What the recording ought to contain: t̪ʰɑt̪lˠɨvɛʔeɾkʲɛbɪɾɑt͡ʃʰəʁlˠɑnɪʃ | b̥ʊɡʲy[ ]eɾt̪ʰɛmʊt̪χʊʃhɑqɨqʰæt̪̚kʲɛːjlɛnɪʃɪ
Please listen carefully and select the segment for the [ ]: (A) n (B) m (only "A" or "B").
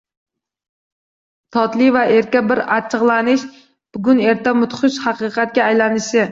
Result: A